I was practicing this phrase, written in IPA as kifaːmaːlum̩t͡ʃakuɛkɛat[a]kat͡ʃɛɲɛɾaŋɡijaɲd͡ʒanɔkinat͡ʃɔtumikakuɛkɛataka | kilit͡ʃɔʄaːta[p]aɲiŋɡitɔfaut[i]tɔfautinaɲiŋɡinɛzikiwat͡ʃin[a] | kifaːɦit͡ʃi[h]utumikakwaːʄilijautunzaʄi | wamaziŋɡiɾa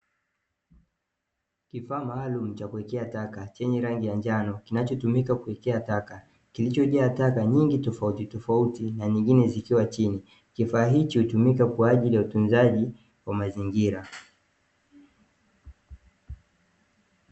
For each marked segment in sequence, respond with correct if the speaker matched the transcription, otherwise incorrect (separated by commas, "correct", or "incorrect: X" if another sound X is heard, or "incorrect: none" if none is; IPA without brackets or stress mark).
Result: correct, incorrect: k, correct, incorrect: i, correct